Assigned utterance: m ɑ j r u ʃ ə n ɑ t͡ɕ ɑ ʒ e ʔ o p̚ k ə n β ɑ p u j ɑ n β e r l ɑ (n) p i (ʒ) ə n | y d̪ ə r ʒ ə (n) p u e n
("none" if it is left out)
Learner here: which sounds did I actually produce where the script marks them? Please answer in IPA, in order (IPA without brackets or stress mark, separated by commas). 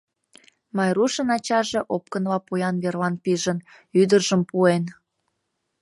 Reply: n, ʒ, m